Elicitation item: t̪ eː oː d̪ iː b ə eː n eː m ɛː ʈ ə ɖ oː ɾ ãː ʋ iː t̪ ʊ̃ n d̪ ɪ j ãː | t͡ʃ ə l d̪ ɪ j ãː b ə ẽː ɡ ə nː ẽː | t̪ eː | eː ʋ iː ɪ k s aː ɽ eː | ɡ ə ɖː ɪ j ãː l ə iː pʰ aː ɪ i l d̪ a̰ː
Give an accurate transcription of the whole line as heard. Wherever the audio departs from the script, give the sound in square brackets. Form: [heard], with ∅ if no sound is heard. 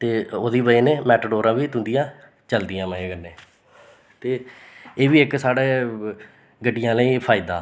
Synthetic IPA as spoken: t̪ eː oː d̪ iː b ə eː n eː m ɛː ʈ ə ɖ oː ɾ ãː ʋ iː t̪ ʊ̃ n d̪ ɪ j ãː | t͡ʃ ə l d̪ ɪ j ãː [m] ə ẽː ɡ ə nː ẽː | t̪ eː | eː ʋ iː ɪ k s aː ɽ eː | ɡ ə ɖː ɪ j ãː l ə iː pʰ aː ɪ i [∅] d̪ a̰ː